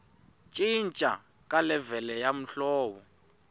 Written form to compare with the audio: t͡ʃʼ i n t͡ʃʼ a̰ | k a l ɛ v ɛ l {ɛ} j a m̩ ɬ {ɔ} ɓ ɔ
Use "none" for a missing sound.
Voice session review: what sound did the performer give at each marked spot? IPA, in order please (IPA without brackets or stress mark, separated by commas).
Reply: ɛ, ɔː